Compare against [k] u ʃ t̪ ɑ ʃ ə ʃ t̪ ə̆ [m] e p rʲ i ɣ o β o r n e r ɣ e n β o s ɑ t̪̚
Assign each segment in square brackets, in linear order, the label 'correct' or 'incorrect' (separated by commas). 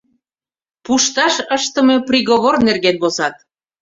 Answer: incorrect, correct